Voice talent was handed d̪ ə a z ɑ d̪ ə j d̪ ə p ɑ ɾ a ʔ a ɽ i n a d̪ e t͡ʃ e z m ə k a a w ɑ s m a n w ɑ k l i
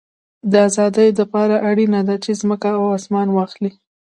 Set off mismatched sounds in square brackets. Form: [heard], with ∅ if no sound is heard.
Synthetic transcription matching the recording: d̪ ə a z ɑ d̪ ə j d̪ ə p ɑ ɾ a ʔ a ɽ i n a d̪ [a] t͡ʃ e z m ə k a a w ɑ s m [ɑ] n w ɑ [x] l i